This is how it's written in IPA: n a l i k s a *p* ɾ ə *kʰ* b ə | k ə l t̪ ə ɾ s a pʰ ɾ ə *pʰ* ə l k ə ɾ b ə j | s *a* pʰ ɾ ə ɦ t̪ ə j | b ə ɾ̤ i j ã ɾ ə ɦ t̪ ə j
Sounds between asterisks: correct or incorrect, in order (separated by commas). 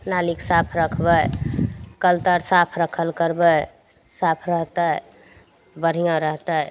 incorrect, correct, incorrect, correct